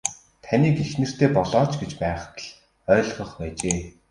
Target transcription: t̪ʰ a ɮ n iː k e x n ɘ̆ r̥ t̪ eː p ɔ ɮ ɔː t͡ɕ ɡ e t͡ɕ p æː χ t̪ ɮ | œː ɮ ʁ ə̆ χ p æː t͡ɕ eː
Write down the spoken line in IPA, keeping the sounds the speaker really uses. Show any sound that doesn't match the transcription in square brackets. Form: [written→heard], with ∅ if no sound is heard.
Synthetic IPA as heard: t̪ʰ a [ɮ→∅] n iː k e x n ɘ̆ r̥ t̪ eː p ɔ ɮ ɔː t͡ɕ ɡ e t͡ɕ p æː χ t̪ ɮ | œː ɮ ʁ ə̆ χ p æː t͡ɕ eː